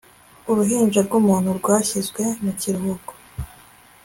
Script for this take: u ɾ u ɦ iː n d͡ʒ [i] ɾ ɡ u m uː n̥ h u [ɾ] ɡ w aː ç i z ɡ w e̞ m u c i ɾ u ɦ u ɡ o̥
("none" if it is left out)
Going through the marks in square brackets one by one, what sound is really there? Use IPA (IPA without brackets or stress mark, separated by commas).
a, ɾ